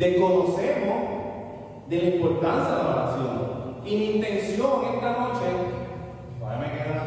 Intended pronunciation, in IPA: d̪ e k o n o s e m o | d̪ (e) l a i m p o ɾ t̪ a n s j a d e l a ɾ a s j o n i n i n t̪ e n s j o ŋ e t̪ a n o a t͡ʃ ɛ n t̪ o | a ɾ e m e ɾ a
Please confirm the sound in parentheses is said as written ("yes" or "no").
yes